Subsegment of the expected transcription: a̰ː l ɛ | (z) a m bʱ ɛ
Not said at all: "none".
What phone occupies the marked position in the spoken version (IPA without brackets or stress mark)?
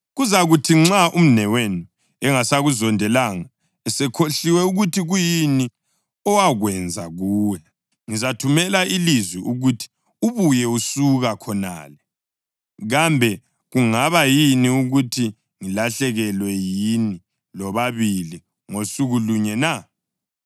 ɣ